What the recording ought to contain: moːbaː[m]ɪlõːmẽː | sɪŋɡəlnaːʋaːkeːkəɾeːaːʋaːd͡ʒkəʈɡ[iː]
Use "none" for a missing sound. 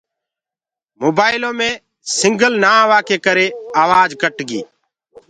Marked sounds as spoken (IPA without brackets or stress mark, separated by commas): none, iː